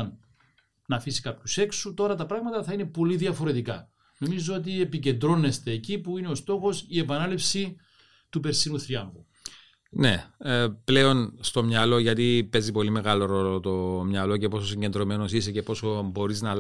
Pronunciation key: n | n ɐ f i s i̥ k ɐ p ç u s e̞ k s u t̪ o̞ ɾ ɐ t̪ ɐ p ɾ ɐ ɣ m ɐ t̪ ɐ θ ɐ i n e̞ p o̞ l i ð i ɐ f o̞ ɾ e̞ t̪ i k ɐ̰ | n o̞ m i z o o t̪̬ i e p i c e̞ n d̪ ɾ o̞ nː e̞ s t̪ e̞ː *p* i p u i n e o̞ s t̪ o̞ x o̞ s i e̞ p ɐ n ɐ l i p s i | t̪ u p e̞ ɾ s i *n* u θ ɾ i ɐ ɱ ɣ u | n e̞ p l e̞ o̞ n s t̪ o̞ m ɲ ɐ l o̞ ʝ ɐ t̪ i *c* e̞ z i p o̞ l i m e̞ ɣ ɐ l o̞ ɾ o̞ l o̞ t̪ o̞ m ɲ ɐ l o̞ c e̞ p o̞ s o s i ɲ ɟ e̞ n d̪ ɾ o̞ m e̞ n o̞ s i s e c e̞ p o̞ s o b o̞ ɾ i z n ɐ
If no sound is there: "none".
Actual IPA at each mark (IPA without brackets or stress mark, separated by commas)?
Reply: c, n, p